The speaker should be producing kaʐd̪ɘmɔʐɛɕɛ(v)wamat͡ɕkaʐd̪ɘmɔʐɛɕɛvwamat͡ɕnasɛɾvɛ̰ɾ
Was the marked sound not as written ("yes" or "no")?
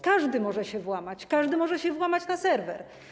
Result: no